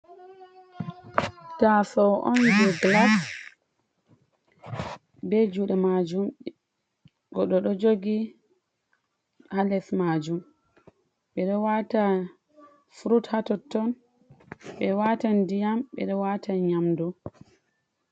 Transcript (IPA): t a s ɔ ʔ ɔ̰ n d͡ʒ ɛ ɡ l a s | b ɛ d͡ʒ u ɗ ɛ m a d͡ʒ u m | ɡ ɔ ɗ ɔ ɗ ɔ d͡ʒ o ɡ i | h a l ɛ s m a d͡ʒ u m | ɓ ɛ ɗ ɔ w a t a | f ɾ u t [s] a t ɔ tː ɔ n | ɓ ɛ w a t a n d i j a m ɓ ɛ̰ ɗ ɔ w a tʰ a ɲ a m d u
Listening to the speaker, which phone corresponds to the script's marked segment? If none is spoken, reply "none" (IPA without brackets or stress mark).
h